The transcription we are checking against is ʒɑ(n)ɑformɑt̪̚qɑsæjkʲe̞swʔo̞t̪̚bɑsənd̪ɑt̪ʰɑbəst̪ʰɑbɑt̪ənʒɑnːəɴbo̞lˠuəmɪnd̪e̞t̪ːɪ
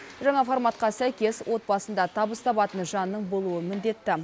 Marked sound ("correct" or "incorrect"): incorrect